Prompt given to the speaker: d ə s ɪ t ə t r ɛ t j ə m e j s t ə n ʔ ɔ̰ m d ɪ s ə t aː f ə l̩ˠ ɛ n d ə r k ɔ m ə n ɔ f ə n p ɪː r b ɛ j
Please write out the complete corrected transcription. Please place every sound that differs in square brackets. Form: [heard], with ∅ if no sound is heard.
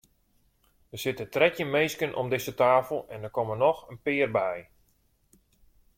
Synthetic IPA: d ə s ɪ t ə t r ɛ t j ə m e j s [k] ə n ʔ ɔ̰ m d ɪ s ə t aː f ə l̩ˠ ɛ n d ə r k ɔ m ə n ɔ [x] ə n p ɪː r b ɛ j